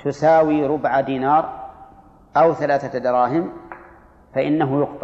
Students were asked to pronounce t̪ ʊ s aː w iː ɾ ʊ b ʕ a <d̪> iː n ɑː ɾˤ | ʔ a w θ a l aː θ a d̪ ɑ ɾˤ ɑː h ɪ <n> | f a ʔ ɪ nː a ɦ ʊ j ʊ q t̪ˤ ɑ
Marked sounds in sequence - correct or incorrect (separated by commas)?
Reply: correct, incorrect